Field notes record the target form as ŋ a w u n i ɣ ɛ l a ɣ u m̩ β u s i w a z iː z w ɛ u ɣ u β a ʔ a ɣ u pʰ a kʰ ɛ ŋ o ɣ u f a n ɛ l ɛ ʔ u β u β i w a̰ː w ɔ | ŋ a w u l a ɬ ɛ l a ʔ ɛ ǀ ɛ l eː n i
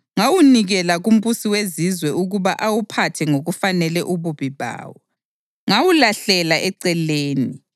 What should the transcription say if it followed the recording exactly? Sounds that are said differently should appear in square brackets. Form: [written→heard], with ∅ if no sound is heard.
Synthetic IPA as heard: ŋ a w u n i ɣ ɛ l a ɣ u m̩ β u s i w [a→e] z [iː→i] z w ɛ u ɣ u β a ʔ a [ɣ→w] u pʰ a [kʰ→tʰ] ɛ ŋ o ɣ u f a n ɛ l ɛ ʔ u β u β i [w→β] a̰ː w ɔ | ŋ a w u l a ɬ ɛ l a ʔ ɛ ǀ ɛ l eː n i